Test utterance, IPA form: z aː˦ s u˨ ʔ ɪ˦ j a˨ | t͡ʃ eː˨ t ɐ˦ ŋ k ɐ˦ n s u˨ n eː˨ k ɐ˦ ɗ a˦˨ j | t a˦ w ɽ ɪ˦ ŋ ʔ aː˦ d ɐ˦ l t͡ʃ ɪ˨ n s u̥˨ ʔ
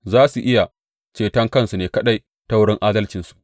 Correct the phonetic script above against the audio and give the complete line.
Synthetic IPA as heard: z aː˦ s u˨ ʔ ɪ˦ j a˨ | t͡ʃ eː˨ t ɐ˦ ŋ k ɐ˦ n s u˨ n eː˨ k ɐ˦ ɗ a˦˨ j | t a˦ w ɽ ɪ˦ ŋ ʔ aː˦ d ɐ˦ l t͡ʃ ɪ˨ n s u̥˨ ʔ